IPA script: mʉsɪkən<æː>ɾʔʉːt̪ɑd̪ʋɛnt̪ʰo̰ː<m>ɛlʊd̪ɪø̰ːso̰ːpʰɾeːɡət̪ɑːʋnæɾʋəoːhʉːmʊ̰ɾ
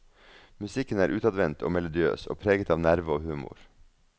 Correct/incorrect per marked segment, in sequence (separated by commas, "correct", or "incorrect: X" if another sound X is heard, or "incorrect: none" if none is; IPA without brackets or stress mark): correct, correct